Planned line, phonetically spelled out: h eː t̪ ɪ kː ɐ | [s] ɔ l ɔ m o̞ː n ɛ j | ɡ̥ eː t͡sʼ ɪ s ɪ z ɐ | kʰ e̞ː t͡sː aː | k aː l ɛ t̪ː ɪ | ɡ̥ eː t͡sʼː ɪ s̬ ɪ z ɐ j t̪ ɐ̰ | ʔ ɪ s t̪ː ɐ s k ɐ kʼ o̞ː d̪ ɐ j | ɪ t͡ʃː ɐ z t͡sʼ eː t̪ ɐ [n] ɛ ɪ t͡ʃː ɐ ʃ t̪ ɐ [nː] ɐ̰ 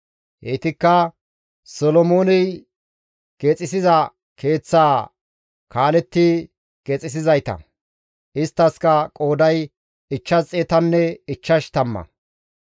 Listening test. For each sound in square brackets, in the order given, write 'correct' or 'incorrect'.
correct, incorrect, incorrect

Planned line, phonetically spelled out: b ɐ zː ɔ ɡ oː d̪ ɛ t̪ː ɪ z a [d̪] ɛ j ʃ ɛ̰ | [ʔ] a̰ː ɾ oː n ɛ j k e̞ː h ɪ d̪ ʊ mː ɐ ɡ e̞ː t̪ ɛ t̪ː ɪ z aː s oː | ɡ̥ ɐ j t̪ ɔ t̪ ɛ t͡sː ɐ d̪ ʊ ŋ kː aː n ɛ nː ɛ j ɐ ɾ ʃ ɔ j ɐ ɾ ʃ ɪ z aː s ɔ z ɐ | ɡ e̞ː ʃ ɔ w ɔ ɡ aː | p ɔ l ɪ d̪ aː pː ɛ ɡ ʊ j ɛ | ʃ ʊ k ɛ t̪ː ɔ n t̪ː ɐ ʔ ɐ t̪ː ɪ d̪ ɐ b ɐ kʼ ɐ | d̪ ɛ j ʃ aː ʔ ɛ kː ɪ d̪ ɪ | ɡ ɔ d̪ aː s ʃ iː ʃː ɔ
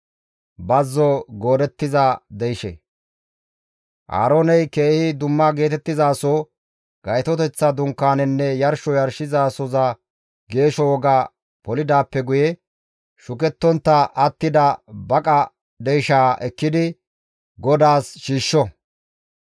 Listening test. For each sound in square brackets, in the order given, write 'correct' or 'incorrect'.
correct, correct

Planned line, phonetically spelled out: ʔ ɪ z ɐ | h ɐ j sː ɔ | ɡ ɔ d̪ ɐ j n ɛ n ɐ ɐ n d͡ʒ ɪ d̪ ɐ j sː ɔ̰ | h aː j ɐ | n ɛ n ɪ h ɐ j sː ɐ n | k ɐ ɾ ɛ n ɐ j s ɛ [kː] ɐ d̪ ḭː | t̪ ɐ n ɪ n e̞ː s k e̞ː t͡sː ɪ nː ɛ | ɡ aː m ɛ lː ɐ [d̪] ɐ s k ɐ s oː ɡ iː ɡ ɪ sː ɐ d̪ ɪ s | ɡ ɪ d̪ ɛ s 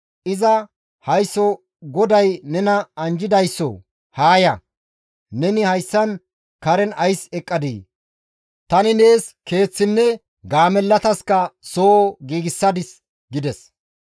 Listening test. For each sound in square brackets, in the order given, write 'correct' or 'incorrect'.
incorrect, incorrect

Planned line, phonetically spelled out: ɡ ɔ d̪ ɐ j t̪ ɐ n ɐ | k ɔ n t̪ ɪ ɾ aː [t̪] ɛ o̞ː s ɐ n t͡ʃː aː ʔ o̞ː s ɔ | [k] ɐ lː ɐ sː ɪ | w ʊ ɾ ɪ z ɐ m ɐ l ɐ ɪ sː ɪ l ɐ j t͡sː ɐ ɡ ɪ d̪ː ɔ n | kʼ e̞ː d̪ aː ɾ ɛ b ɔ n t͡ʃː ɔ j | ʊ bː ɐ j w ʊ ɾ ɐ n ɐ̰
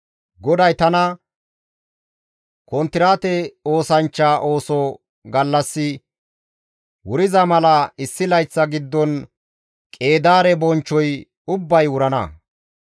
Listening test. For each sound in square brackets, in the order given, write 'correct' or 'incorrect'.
correct, incorrect

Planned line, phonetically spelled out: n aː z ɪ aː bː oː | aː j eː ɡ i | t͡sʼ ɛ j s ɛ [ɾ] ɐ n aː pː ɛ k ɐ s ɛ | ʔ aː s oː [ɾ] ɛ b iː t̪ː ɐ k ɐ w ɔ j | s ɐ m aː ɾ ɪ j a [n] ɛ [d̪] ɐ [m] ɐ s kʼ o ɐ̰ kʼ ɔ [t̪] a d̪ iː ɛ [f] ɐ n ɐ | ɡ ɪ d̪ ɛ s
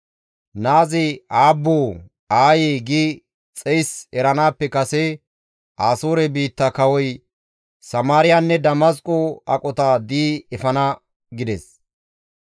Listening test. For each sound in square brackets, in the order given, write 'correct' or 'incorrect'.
correct, correct, incorrect, correct, correct, correct, correct

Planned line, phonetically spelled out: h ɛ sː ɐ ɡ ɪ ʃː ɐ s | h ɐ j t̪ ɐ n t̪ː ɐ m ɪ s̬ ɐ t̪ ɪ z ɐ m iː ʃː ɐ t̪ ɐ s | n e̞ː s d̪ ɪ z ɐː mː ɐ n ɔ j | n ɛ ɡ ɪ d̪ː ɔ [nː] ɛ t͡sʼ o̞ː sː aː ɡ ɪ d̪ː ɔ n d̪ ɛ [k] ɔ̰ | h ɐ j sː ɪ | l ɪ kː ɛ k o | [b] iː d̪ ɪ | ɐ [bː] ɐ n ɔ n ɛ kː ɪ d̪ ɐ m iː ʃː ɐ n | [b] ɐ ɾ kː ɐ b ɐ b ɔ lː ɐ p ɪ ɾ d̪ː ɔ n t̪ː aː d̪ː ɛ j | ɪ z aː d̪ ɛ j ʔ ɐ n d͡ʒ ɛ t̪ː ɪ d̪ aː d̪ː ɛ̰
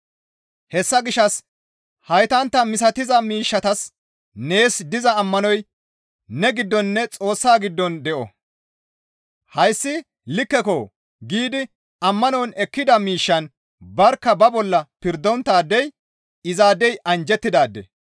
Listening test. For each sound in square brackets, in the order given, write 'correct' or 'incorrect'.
correct, incorrect, incorrect, incorrect, correct

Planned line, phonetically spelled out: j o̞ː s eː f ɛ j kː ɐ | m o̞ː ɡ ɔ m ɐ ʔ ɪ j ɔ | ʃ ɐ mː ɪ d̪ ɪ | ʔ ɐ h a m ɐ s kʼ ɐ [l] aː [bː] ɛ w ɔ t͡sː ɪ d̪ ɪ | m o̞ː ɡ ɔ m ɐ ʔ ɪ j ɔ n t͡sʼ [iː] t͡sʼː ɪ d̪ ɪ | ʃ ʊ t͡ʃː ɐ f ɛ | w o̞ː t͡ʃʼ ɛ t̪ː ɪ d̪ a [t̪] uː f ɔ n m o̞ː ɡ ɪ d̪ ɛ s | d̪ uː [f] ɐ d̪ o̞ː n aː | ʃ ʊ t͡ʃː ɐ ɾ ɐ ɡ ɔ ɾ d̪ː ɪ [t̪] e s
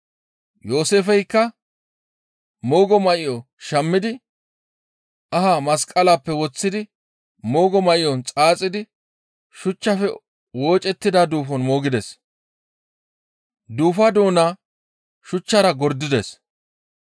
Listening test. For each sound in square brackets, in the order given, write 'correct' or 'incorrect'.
correct, incorrect, incorrect, incorrect, correct, incorrect

